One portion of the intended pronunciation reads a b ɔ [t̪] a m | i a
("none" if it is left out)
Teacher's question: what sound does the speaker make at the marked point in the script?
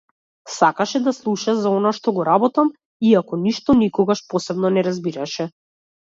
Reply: t̪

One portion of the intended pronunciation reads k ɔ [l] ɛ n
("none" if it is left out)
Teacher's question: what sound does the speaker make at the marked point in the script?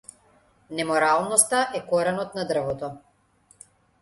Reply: ɾ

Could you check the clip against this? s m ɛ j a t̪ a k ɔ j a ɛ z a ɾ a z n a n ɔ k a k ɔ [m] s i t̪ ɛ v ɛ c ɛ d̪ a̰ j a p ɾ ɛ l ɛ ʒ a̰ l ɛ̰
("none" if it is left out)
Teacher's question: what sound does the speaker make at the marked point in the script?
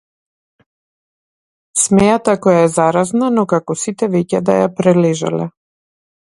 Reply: none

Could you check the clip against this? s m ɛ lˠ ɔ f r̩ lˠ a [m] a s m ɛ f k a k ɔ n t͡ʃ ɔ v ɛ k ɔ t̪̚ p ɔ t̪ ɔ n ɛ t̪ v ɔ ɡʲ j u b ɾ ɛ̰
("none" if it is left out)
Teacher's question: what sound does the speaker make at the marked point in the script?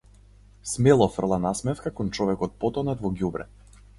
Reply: n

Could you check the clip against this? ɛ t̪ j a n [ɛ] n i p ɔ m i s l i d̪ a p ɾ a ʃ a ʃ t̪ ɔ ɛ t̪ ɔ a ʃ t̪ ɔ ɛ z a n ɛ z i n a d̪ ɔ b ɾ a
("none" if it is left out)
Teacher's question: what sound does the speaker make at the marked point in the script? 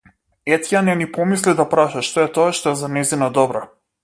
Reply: ɛ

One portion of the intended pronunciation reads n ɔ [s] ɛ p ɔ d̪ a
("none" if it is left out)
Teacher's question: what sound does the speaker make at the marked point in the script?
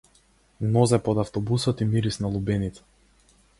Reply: z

